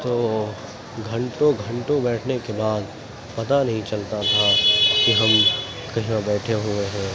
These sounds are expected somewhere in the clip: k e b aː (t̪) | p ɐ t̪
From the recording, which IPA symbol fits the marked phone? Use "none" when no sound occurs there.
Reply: d̪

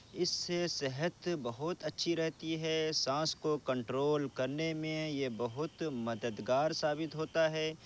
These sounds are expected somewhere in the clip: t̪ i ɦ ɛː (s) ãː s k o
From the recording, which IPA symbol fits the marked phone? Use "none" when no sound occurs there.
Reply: s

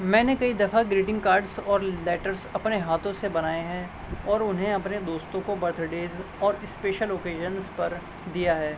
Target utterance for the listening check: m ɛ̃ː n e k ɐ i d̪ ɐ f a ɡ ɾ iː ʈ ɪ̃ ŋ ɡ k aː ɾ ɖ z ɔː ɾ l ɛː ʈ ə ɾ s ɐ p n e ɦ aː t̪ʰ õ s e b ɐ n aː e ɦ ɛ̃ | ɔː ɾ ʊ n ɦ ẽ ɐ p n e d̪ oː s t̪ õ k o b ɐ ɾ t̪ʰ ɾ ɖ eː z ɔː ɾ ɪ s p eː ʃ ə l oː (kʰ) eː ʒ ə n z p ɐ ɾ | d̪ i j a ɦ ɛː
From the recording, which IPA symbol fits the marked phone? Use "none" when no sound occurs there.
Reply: k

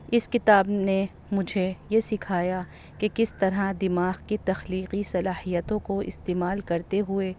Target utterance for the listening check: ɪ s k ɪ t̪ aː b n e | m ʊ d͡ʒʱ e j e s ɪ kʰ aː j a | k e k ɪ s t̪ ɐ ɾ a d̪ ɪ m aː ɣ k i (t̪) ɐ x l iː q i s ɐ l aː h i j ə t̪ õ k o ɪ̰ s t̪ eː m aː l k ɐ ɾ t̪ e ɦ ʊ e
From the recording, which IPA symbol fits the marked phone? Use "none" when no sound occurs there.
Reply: t̪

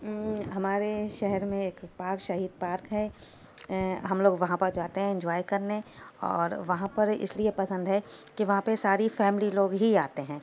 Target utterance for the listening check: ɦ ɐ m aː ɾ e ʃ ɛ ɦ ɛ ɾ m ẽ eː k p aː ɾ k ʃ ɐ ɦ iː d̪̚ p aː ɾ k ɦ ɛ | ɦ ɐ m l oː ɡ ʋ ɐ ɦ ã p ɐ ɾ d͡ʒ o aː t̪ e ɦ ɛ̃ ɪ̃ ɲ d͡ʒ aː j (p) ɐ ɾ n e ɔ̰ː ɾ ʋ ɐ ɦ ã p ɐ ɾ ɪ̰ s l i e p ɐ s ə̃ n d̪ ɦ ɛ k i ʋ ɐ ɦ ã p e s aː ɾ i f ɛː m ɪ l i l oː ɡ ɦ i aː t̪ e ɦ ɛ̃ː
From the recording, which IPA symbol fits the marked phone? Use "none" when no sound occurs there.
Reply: k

